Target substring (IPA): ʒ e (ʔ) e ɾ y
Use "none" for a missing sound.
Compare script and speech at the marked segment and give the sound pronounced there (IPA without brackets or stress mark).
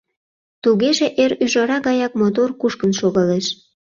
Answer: ʔ